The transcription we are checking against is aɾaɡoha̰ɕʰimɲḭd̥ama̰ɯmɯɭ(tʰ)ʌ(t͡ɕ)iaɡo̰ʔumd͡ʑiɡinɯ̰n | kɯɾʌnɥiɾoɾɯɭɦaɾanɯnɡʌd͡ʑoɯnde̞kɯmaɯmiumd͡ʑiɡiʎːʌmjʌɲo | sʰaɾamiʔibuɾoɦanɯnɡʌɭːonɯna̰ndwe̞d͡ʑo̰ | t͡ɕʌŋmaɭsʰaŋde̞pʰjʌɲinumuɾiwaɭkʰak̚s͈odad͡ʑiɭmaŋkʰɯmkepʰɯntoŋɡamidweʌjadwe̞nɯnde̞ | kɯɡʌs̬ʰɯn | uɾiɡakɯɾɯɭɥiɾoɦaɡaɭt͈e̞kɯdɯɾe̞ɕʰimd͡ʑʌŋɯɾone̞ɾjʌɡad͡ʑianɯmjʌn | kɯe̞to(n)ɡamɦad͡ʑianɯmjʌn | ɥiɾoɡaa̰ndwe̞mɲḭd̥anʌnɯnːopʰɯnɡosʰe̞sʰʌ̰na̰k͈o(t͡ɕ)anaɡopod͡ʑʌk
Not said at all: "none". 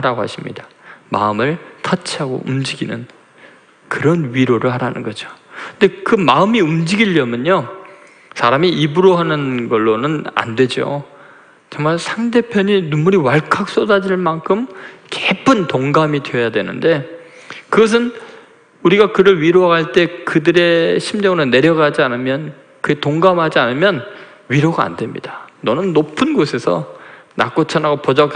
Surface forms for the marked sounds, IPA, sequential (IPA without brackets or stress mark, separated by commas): tʰ, t͡ɕʰ, ŋ, t͡ɕʰ